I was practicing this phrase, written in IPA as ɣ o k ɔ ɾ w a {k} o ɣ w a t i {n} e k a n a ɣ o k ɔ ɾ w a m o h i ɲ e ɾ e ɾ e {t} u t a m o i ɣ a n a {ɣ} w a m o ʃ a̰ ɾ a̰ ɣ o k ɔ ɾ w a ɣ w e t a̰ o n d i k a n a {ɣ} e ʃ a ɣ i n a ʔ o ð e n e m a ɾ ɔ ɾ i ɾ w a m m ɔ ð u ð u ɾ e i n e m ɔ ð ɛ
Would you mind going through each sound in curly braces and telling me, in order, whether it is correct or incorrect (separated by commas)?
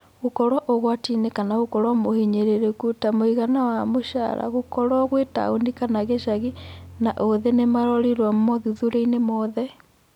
incorrect, correct, incorrect, incorrect, correct